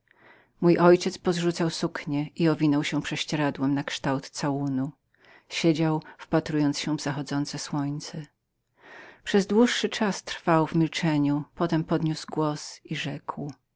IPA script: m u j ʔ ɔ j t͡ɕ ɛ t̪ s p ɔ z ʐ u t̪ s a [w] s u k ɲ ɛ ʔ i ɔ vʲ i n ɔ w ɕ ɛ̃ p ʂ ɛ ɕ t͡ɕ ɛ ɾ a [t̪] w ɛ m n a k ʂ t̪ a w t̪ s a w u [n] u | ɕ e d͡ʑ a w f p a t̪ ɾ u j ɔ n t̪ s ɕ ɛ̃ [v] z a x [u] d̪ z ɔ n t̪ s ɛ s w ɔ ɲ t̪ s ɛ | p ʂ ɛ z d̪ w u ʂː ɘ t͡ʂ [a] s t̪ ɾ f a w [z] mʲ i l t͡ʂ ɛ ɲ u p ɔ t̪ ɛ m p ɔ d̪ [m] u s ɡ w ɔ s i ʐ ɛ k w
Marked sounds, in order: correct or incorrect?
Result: correct, incorrect, correct, correct, incorrect, correct, incorrect, incorrect

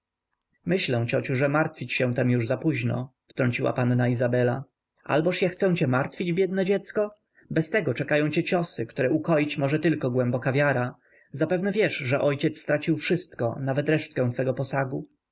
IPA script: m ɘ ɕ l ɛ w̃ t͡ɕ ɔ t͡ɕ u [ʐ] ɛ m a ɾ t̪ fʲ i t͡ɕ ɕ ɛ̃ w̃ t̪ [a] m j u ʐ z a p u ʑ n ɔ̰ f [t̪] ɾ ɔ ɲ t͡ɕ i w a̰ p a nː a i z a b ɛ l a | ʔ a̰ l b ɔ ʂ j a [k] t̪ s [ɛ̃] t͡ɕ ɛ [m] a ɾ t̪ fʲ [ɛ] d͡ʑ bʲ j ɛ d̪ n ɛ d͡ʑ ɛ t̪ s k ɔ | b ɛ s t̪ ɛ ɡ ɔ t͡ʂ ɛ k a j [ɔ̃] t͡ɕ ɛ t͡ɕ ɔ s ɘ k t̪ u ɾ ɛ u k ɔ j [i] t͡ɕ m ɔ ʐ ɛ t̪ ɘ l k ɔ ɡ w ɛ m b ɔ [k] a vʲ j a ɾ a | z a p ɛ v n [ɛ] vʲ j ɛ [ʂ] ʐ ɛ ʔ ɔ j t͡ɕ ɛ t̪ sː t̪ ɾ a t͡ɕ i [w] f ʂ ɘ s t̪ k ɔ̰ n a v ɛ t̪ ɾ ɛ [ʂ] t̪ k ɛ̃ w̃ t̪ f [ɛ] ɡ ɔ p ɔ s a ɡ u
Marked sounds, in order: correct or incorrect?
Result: correct, incorrect, correct, incorrect, correct, correct, incorrect, correct, correct, correct, correct, correct, correct, correct, correct

